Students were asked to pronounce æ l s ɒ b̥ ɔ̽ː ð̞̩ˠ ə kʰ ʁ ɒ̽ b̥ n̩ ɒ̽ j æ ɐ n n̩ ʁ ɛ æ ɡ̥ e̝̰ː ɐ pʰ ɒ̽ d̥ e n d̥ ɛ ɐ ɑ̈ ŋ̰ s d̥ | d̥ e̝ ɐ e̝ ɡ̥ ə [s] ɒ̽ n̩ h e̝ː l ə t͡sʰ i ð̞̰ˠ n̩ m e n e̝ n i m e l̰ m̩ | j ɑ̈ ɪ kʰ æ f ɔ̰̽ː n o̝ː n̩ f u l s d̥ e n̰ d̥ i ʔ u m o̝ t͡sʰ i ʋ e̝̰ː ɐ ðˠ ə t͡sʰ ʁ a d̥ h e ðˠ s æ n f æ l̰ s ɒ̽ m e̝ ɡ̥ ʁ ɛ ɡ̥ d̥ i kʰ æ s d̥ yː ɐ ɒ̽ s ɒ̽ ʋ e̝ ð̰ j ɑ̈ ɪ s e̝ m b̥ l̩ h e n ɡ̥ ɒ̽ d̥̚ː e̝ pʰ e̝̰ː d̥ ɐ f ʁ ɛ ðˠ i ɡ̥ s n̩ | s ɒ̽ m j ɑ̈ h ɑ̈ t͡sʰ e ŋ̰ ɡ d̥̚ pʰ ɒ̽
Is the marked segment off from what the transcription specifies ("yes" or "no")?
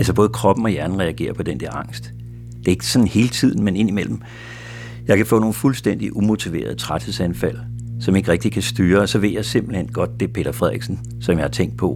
no